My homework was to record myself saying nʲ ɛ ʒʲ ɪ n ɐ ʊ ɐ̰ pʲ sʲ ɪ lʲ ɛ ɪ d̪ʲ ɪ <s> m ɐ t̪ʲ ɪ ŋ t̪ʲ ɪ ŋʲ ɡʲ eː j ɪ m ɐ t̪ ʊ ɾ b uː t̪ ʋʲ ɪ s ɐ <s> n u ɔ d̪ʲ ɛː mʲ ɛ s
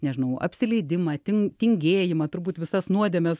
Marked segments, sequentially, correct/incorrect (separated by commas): incorrect, correct